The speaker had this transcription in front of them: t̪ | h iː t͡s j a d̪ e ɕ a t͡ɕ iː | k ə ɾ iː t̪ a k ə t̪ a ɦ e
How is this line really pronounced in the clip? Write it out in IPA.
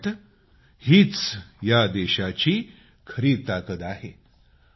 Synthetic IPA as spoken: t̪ | h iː t͡s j a d̪ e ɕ a t͡ɕ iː | kʰ ə ɾ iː t̪ a k ə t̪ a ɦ e